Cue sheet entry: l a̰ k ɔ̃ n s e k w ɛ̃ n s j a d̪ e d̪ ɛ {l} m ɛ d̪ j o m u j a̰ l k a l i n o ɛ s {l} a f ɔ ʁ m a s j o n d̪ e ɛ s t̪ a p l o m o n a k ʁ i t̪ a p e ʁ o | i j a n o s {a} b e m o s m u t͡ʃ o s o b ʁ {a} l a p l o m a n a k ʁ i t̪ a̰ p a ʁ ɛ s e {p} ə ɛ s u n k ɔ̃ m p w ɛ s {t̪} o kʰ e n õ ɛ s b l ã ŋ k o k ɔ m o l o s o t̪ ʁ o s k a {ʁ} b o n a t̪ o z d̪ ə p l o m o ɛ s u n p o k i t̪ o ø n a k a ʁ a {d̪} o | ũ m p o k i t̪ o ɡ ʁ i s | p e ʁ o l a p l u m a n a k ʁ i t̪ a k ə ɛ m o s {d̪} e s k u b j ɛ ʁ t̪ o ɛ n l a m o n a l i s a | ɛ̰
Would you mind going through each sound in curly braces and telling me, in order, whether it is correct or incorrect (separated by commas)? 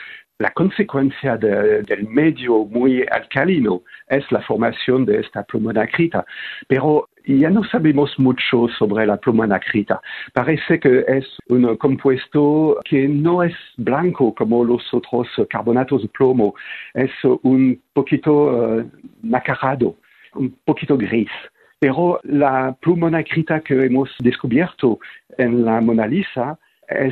correct, correct, correct, incorrect, incorrect, correct, correct, correct, correct